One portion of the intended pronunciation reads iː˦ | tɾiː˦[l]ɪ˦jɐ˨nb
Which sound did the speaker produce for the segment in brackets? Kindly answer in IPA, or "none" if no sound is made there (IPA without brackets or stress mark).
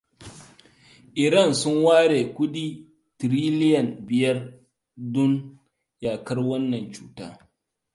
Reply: l